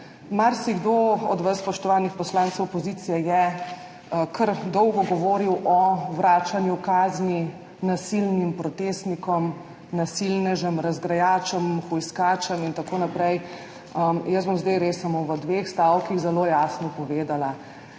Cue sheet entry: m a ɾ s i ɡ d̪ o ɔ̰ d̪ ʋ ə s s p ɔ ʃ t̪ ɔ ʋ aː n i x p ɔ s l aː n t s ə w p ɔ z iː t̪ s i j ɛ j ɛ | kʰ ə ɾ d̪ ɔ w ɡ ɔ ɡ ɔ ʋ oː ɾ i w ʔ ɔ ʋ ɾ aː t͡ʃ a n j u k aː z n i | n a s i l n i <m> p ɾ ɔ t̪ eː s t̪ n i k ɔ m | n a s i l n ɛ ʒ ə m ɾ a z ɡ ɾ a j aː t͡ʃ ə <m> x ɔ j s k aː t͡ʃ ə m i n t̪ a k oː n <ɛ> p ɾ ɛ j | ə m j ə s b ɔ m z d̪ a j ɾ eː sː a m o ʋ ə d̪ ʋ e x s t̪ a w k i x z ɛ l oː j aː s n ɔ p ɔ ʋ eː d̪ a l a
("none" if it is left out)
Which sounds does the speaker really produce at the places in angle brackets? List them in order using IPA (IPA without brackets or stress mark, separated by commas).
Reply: m, m, a